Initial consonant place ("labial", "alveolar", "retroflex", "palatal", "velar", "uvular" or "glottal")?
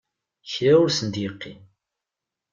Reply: palatal